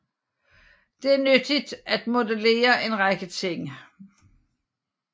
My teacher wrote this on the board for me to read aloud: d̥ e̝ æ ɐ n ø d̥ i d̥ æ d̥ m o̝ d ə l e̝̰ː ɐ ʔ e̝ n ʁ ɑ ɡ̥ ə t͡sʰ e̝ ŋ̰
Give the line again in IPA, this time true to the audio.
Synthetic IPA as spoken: d̥ e̝ æ ɐ n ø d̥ i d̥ æ d̥ m o̝ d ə l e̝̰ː ɐ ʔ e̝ n ʁ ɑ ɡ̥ ə t͡sʰ e̝ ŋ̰